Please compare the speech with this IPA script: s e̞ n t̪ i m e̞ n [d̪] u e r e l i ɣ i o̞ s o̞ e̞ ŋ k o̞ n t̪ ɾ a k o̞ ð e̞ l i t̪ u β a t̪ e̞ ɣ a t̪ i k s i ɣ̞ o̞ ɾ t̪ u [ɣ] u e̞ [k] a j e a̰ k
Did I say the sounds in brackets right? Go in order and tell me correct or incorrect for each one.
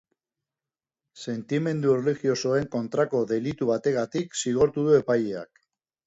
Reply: correct, incorrect, incorrect

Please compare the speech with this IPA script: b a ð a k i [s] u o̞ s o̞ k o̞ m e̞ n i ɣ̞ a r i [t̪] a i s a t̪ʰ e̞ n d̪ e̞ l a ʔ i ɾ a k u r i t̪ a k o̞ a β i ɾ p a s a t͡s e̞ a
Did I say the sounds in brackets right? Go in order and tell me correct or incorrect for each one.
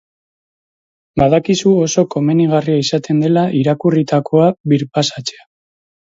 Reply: correct, incorrect

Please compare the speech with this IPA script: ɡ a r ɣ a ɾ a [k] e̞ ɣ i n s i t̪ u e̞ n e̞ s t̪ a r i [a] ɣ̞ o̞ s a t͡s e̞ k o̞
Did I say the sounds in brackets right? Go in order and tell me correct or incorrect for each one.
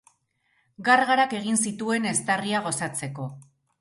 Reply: correct, correct

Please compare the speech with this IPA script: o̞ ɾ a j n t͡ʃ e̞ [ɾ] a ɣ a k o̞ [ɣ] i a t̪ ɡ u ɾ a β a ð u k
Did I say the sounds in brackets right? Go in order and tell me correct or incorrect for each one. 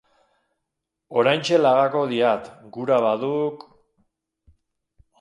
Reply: incorrect, incorrect

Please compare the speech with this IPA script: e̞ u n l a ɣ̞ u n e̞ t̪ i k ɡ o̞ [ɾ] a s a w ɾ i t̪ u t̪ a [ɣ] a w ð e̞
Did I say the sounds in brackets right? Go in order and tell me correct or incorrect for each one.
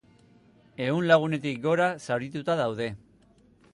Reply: correct, incorrect

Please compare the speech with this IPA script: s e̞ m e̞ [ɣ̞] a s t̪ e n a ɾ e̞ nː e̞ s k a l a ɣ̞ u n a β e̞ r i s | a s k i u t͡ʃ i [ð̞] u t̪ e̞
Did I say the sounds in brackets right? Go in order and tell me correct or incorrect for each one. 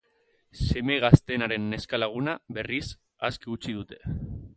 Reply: correct, correct

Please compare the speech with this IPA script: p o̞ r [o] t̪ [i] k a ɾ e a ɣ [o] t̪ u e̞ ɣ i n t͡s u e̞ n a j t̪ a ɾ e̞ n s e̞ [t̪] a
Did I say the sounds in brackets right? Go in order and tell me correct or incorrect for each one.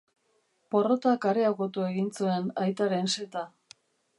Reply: correct, incorrect, correct, correct

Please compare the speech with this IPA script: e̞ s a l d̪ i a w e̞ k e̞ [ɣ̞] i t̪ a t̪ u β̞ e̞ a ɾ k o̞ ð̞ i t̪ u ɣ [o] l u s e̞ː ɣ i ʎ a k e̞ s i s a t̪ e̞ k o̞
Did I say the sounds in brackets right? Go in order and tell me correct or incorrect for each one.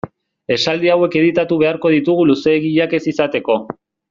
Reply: incorrect, incorrect

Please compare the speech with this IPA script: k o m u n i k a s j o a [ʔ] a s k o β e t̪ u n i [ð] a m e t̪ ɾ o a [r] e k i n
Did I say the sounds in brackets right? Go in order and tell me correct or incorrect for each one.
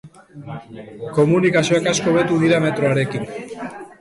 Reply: incorrect, correct, incorrect

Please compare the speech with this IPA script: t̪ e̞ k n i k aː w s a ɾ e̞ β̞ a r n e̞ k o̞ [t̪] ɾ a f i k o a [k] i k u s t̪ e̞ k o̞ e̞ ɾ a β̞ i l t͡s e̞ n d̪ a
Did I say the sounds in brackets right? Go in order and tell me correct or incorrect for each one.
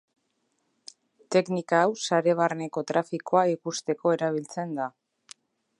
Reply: correct, incorrect

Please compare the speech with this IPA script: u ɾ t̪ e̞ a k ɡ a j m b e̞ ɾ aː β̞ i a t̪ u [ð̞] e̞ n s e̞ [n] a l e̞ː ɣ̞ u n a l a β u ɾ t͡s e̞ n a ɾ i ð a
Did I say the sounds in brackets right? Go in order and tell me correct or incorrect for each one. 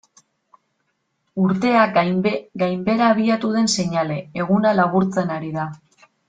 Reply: correct, incorrect

